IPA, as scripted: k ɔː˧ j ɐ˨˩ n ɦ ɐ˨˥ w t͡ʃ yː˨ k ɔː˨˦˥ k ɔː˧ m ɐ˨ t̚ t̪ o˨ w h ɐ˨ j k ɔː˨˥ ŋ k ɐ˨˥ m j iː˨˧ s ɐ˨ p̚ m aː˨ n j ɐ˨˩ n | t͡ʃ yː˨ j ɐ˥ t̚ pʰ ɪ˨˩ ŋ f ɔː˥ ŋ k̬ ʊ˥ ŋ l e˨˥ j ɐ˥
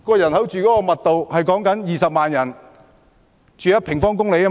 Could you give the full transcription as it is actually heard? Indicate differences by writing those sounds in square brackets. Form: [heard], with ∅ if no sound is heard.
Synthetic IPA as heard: k ɔː˧ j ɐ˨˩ n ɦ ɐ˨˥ w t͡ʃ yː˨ k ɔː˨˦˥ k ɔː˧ m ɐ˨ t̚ t̪ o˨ w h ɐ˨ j k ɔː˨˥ ŋ k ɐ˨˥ [n] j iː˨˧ s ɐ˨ p̚ m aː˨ n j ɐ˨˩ n | t͡ʃ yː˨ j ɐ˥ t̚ pʰ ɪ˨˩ ŋ f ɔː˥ ŋ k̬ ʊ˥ ŋ l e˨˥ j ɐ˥